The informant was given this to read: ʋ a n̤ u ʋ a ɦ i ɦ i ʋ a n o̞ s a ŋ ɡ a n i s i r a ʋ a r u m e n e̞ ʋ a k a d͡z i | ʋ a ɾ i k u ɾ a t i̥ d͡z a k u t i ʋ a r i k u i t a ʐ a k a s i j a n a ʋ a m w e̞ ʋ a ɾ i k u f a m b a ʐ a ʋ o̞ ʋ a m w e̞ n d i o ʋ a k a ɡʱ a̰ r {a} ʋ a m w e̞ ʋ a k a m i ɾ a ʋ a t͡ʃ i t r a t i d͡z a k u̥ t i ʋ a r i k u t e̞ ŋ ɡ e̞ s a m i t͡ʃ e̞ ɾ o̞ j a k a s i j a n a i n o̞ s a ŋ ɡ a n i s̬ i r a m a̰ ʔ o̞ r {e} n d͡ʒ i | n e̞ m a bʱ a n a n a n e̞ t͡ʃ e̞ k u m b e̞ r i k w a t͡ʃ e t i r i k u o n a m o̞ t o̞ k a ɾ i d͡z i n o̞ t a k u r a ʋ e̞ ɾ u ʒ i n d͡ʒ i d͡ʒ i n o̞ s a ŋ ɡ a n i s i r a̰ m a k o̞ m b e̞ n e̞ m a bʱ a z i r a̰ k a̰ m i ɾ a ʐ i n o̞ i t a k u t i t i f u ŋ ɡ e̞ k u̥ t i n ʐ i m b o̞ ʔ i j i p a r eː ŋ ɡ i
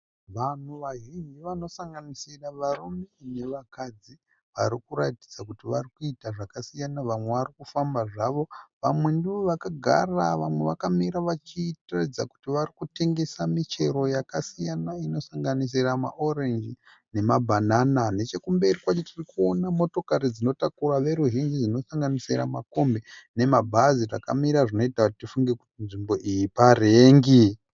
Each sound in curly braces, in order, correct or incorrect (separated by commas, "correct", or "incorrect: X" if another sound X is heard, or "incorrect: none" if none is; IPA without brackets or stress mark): correct, correct